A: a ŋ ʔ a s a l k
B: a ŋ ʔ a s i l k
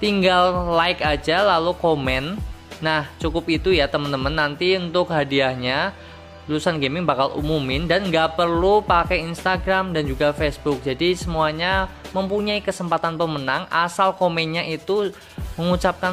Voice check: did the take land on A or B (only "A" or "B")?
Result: A